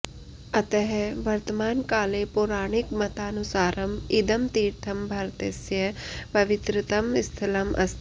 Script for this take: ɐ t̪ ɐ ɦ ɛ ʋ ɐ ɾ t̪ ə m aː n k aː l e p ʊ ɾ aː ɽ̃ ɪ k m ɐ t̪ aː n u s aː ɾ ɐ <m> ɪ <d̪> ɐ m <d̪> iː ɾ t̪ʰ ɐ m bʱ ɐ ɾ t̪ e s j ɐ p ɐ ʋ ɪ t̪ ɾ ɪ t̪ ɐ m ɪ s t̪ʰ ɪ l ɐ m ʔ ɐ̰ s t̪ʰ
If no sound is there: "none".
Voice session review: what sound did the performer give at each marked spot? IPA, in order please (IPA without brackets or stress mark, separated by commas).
m, d̪, t̪